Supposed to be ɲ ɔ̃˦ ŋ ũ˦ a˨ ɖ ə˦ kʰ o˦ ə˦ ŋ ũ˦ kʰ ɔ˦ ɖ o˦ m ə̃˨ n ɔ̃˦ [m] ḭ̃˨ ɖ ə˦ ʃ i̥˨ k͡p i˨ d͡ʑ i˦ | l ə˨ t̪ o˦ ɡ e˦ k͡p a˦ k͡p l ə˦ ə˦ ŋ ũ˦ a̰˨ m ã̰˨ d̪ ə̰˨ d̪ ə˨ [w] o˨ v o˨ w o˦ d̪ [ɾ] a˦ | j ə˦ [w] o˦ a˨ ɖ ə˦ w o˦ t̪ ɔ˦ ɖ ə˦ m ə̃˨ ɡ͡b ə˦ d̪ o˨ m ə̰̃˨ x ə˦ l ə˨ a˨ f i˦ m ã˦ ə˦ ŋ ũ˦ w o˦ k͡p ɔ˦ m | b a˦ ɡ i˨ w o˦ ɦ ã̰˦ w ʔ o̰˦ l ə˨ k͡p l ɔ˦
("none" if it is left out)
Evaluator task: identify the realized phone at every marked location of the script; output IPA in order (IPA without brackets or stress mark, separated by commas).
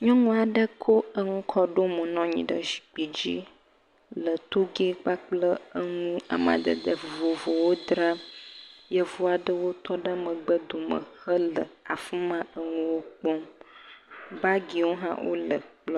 ɲ, v, ɾ, v